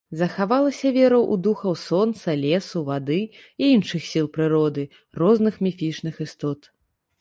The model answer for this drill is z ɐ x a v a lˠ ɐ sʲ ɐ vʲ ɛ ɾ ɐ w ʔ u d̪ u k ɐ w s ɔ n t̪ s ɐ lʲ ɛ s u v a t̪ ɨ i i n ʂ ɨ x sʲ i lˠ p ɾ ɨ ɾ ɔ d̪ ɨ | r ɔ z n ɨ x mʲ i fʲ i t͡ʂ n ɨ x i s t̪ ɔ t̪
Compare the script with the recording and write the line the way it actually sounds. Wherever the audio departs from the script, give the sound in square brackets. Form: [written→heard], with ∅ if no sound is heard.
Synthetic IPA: z ɐ x a v a lˠ ɐ sʲ ɐ vʲ ɛ ɾ ɐ w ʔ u d̪ u [k→x] ɐ w s ɔ n t̪ s ɐ lʲ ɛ s u v a [t̪→d̪] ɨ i i n ʂ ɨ x sʲ i lˠ p ɾ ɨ ɾ ɔ d̪ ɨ | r ɔ z n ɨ x mʲ i fʲ i t͡ʂ n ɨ x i s t̪ ɔ t̪